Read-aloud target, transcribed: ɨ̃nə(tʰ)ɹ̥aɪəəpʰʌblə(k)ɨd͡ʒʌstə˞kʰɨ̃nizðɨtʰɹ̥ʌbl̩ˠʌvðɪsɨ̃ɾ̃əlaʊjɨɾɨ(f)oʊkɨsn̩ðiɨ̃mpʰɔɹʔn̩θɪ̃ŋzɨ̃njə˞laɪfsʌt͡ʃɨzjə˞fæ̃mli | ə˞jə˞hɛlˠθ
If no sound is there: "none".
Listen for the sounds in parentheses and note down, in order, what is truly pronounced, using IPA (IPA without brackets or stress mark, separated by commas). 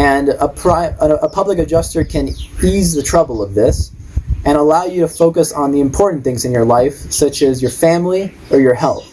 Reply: pʰ, k, f